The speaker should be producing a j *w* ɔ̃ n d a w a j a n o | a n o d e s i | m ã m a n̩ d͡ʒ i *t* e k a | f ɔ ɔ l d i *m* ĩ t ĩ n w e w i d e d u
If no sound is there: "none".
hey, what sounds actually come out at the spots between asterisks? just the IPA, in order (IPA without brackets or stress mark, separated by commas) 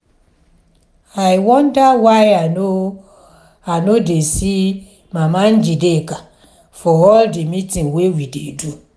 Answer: w, d, m